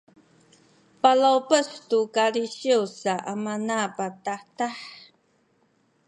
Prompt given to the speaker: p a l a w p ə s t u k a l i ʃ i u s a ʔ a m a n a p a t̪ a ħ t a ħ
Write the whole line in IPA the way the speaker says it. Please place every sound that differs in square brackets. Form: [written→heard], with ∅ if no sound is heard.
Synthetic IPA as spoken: p a l a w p ə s t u k a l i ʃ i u s a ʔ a m a n a p a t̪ a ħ t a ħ